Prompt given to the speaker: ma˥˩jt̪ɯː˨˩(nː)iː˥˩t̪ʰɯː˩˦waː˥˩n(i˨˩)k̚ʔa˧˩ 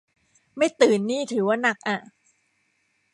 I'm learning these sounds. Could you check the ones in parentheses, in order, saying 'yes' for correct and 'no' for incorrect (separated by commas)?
yes, no